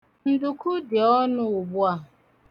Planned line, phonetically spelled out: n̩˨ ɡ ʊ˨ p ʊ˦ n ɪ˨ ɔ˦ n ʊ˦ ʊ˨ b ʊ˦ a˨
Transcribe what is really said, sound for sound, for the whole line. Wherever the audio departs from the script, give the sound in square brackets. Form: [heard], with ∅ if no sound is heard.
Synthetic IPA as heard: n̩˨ [d] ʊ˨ [k] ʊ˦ [d] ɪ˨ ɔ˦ n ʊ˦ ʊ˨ b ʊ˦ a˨